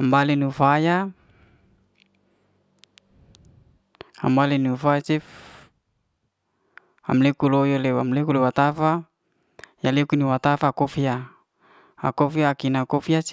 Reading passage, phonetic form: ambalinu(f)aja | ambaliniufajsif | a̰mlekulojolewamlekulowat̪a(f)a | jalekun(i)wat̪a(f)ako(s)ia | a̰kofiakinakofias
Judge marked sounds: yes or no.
yes, yes, yes, yes, no

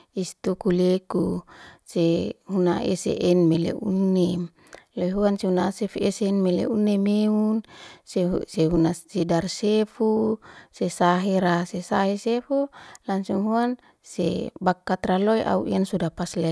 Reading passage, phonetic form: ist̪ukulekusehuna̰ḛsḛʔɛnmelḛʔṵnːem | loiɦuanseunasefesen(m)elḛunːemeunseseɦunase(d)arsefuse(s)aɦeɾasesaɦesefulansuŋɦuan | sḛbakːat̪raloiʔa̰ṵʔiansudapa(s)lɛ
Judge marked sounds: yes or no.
yes, yes, yes, yes

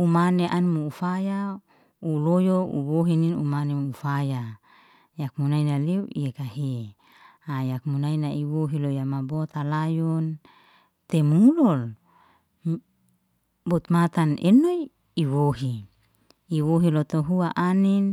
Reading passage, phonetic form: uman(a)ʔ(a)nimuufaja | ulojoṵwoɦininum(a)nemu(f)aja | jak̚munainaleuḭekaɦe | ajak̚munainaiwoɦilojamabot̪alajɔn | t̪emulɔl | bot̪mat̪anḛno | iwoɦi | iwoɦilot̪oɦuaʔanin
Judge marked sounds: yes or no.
no, yes, yes, yes

